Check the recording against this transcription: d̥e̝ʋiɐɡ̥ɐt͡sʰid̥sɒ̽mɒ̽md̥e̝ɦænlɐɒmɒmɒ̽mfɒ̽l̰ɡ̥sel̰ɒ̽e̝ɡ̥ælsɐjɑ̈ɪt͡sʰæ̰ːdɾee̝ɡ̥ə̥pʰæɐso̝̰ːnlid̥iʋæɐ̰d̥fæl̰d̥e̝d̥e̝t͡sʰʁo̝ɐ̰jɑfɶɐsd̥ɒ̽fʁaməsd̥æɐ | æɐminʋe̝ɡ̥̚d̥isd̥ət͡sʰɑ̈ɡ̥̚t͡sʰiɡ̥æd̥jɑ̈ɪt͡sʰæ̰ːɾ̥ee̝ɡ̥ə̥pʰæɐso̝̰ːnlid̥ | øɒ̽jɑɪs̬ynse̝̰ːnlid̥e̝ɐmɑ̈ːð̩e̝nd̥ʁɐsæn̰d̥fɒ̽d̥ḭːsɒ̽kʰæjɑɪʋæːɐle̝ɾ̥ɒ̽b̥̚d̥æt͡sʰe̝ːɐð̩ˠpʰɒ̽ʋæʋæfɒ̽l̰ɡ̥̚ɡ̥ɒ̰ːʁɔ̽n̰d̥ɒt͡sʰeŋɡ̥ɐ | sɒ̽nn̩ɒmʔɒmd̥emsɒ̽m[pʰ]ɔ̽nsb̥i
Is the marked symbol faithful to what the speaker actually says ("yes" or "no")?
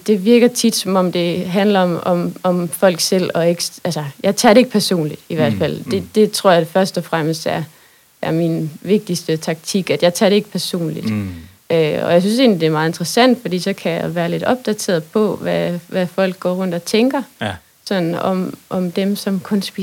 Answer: no